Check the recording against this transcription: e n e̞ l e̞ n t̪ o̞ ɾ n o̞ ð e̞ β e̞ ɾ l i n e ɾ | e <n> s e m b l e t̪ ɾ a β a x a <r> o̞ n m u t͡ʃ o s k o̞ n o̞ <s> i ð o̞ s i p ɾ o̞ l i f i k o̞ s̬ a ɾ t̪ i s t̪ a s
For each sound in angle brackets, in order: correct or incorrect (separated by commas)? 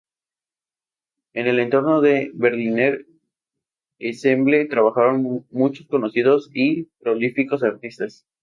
incorrect, incorrect, correct